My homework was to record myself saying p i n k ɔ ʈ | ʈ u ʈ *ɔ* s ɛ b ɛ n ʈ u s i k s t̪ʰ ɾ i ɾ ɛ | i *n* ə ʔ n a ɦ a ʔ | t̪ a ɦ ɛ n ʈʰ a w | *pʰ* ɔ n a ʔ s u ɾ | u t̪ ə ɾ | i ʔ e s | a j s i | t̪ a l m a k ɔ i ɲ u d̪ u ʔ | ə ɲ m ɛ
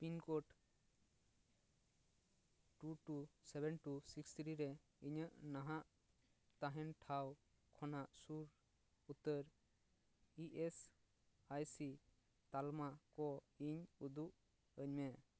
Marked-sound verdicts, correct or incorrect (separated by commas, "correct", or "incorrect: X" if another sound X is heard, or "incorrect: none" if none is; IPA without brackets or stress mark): incorrect: u, incorrect: ɲ, incorrect: kʰ